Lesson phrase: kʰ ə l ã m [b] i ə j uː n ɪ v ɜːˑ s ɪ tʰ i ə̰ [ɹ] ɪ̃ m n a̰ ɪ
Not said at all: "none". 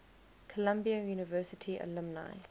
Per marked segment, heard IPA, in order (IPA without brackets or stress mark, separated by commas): b, l